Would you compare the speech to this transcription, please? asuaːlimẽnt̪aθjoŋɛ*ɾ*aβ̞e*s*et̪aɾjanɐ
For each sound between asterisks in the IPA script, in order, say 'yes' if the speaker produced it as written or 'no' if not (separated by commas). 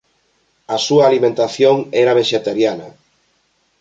yes, no